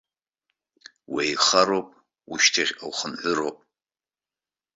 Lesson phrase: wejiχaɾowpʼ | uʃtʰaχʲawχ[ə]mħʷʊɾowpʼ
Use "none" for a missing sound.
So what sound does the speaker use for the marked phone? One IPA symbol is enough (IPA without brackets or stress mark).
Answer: ə